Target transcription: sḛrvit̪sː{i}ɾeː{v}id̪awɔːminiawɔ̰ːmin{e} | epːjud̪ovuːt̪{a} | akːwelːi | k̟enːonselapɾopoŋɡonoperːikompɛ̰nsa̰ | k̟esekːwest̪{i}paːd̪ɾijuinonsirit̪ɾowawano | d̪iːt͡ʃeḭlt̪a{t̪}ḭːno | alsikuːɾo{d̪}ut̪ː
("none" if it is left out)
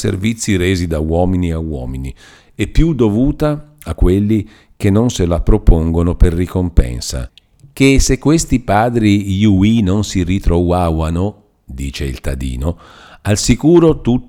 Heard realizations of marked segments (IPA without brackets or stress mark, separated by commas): i, z, i, a, i, d̪, t̪